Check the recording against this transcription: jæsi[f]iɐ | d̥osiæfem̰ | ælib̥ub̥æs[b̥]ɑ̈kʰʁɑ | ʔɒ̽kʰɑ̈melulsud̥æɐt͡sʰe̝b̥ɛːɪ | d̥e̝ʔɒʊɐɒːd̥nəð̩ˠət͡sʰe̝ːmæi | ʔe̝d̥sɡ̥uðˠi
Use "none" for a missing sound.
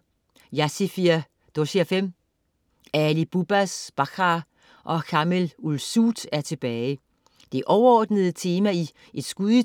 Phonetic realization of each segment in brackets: f, b̥

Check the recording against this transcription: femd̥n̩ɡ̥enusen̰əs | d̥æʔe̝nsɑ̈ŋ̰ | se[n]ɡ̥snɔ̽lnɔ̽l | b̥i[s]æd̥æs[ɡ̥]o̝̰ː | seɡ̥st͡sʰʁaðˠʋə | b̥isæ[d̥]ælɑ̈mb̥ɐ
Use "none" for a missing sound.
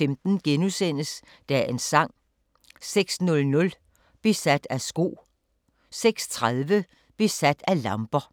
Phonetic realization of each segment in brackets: none, s, ɡ̥, d̥

